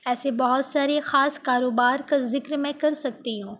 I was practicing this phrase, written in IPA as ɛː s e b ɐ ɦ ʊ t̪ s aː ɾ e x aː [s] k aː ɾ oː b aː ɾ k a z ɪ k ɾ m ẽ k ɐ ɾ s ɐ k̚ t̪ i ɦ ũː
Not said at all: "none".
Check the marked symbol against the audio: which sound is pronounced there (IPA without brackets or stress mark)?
s